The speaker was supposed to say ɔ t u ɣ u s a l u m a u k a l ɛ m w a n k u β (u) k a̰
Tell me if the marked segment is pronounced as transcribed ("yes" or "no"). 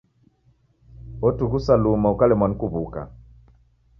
yes